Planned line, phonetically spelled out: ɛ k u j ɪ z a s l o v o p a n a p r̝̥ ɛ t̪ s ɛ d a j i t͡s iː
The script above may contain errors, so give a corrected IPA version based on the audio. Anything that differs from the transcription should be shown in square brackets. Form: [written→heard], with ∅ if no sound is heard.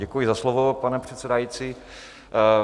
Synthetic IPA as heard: ɛ k u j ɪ z a s l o v o p a n [a→ɛ] p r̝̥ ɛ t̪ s ɛ d a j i t͡s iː